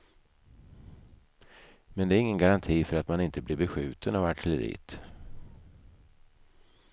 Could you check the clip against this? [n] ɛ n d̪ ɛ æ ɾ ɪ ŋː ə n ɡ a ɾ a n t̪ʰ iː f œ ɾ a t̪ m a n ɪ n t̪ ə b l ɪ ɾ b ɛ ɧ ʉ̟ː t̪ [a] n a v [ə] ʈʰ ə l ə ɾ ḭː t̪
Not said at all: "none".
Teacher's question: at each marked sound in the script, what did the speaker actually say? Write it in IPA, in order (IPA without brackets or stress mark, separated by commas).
m, ə, a